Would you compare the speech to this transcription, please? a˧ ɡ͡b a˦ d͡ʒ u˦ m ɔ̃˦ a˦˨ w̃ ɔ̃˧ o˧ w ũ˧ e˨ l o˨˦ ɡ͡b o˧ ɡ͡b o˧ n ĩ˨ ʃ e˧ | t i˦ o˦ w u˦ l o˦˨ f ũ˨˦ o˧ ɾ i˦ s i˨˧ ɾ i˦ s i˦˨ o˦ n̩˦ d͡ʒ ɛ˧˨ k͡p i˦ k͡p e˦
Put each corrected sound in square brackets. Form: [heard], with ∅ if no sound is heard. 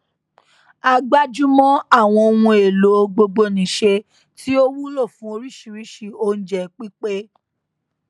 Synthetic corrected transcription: a˧ ɡ͡b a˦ d͡ʒ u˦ m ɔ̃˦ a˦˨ w̃ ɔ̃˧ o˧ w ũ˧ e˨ l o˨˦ ɡ͡b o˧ ɡ͡b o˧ n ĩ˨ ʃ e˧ | t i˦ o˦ w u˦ l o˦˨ f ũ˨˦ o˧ ɾ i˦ [ʃ] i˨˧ ɾ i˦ [ʃ] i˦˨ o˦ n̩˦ d͡ʒ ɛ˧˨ k͡p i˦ k͡p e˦